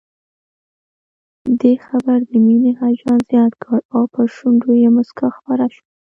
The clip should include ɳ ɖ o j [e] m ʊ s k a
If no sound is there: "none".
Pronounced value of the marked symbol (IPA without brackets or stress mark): e